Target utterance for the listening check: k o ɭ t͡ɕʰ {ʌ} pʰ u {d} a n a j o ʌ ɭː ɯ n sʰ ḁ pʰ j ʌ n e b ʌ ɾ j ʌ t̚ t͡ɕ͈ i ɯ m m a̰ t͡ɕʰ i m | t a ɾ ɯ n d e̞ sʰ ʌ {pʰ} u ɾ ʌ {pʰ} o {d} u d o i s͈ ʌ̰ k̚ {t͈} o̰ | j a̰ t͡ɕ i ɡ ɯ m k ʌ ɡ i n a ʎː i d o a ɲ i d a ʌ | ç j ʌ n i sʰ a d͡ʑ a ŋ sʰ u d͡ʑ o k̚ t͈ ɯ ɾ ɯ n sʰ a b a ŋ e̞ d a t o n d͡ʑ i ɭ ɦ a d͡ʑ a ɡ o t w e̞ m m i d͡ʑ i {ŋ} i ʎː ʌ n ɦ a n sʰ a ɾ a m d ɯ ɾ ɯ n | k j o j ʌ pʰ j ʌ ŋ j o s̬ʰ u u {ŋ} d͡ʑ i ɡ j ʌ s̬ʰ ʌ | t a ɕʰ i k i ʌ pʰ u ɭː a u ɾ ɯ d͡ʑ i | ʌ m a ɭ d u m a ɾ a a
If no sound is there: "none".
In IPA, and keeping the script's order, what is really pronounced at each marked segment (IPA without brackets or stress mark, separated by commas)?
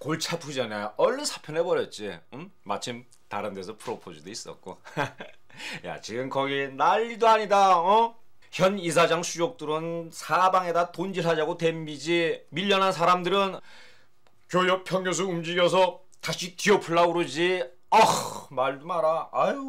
a, d͡ʑ, pʰ, pʰ, d͡ʑ, k͈, m, m